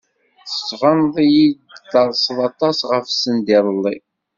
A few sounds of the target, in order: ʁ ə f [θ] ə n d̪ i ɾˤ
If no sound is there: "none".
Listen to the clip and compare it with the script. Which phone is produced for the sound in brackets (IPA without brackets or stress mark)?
s